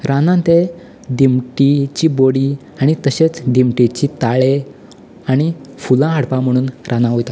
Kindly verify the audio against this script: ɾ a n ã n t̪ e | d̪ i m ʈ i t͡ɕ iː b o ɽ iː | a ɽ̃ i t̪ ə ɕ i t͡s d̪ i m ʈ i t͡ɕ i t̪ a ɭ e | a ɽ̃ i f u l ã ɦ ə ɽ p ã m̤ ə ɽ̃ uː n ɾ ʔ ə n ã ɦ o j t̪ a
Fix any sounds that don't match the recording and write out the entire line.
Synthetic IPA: ɾ a n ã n t̪ e | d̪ i m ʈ i t͡ɕ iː b o ɽ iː | a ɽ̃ i t̪ ə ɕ e t͡s d̪ i m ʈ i t͡ɕ i t̪ a ɭ e | a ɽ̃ i f u l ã ɦ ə ɽ p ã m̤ ə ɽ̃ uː n ɾ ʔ a n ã ɦ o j t̪ a